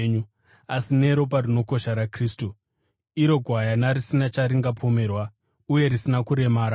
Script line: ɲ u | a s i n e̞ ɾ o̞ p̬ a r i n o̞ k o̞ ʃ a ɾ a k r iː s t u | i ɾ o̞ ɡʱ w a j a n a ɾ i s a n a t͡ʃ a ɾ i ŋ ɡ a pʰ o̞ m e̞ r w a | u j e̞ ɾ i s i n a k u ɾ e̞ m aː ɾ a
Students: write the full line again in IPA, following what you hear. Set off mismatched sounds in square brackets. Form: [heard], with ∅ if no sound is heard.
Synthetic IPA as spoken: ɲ u | a s i n e̞ ɾ o̞ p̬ a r i n o̞ k o̞ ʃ a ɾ a k r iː s t u | i ɾ o̞ ɡʱ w a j a n a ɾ i s [i] n a t͡ʃ a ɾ i ŋ ɡ a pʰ o̞ m e̞ r w a | u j e̞ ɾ i s i n a k u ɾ e̞ m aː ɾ a

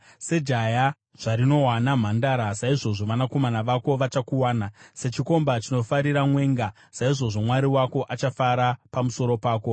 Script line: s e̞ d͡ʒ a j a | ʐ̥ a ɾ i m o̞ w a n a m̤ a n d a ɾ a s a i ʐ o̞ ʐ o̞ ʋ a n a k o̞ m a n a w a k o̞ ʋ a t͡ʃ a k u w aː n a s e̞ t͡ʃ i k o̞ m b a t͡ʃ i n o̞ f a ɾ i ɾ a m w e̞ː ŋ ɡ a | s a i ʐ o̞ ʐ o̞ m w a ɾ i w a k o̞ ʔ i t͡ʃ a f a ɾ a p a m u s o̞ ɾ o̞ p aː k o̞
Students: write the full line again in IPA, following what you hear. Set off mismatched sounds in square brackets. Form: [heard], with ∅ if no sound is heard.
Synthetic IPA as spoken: s e̞ d͡ʒ a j a | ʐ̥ a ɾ i [n] o̞ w a n a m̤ a n d a ɾ a s a i ʐ o̞ ʐ o̞ ʋ a n a k o̞ m a n a [ʋ] a k o̞ ʋ a t͡ʃ a k u w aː n a s e̞ t͡ʃ i k o̞ m b a t͡ʃ i n o̞ f a ɾ i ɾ a m w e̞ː ŋ ɡ a | s a i ʐ o̞ ʐ o̞ m w a ɾ i w a k o̞ ʔ [a] t͡ʃ a f a ɾ a p a m u s o̞ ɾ o̞ p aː k o̞

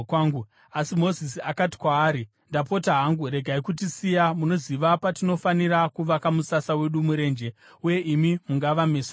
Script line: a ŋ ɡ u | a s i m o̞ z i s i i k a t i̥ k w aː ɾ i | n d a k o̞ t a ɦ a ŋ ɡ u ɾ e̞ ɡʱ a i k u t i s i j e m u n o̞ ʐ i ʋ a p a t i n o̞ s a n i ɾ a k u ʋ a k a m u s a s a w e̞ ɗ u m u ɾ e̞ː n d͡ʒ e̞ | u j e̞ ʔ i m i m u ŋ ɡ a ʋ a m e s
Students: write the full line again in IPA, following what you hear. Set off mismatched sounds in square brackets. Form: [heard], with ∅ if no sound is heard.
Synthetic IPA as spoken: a ŋ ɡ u | a s i m o̞ z i s i [a] k a t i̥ k w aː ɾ i | n d a [p] o̞ t a ɦ a ŋ ɡ u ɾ e̞ ɡʱ a i k u t i s i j [a] m u n o̞ [z] i ʋ a p a t i n o̞ [f] a n i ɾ a k u ʋ a k a m u s a s a w e̞ ɗ u m u ɾ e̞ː n d͡ʒ e̞ | u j e̞ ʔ i m i m u ŋ ɡ a ʋ a m e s

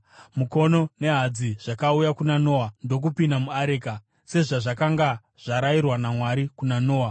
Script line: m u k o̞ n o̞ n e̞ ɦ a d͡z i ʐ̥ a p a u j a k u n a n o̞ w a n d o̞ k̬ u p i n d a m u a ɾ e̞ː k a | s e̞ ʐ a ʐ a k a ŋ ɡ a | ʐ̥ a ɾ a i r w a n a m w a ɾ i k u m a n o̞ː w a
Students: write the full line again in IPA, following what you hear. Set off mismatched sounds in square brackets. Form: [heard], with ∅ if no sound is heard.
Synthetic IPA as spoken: m u k o̞ n o̞ n e̞ ɦ a d͡z i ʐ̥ a [k] a u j a k u n a n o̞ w a n d o̞ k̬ u p i n d a m u a ɾ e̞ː k a | s e̞ ʐ a ʐ a k a ŋ ɡ a | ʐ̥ a ɾ a i r w a n a m w a ɾ i k u [n] a n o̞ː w a

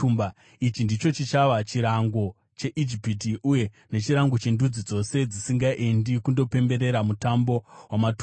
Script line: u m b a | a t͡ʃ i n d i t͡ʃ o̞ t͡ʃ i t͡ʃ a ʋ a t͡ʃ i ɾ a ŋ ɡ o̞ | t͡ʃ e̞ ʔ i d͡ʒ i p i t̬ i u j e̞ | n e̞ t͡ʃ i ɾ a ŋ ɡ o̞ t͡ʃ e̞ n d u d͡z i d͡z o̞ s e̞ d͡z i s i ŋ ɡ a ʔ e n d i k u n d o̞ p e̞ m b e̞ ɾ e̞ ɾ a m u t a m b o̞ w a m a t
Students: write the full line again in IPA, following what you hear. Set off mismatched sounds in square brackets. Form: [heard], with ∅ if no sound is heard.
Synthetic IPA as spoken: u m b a | [i] t͡ʃ i n d i t͡ʃ o̞ t͡ʃ i t͡ʃ a ʋ a t͡ʃ i ɾ a ŋ ɡ o̞ | t͡ʃ e̞ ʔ i d͡ʒ i p i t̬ i u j e̞ | n e̞ t͡ʃ i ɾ a ŋ ɡ o̞ t͡ʃ e̞ n d u d͡z i d͡z o̞ s e̞ d͡z i s i ŋ ɡ a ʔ e n d i k u n d o̞ p e̞ m b e̞ ɾ e̞ ɾ a m u t a m b o̞ w a m a t

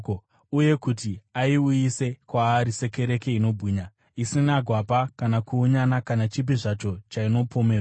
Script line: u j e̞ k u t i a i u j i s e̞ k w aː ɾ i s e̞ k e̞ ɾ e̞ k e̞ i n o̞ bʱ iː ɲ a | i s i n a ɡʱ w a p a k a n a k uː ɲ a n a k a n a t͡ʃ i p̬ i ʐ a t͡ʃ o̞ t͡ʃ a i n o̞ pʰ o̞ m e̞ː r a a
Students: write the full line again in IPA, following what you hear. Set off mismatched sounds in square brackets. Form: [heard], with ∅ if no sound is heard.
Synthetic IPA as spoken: u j e̞ k u t i a i u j i s e̞ k w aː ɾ i s e̞ k e̞ ɾ e̞ k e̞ i n o̞ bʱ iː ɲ a | i s i n a ɡʱ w a p a k a n a k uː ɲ a n a k a n a t͡ʃ i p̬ i ʐ a t͡ʃ o̞ t͡ʃ a i n o̞ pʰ o̞ m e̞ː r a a

